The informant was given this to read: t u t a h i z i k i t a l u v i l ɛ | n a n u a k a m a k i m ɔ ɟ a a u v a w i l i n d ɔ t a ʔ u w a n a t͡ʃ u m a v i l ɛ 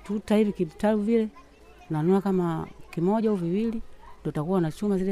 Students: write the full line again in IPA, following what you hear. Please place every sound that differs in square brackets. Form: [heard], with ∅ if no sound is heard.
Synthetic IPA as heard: t u t a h i [v] i k i t a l u v i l ɛ | n a n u a k a m a k i m ɔ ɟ a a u v [i] w i l i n d ɔ t a [k] u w a n a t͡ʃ u m a [z] i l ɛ